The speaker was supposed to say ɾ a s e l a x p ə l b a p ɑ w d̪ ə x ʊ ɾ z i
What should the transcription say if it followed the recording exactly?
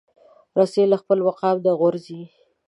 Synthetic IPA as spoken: ɾ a s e l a x p ə l w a q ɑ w d̪ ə ɣ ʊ ɾ z i